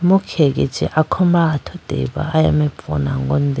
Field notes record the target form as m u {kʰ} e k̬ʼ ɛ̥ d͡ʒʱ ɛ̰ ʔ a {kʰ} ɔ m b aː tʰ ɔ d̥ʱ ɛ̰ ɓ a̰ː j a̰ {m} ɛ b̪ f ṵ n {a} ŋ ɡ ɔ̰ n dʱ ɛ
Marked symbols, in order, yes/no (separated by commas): yes, yes, yes, yes